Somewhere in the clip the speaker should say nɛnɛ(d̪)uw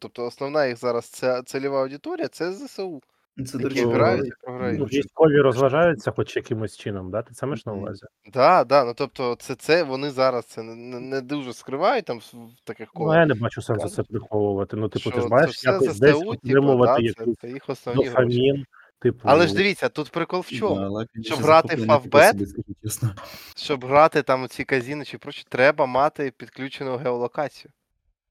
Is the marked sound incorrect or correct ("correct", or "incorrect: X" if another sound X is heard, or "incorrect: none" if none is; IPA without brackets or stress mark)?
correct